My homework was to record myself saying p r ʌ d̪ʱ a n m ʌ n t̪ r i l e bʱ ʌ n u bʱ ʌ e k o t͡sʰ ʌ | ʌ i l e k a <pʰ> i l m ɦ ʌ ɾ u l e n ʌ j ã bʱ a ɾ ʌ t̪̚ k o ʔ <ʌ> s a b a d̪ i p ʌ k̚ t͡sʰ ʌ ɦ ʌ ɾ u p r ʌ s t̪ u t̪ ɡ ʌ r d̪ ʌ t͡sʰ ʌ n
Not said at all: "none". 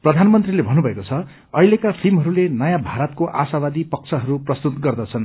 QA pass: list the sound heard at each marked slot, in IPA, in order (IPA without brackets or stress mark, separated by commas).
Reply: pʰ, a